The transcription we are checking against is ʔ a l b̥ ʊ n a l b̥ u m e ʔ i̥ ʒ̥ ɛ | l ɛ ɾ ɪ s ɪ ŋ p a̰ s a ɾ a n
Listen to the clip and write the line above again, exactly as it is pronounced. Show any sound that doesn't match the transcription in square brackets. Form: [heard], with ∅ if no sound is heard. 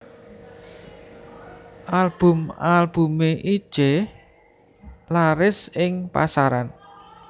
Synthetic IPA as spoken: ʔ a l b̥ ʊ [m] a l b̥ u m e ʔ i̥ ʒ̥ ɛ | l [a] ɾ ɪ s ɪ ŋ p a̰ s a ɾ a n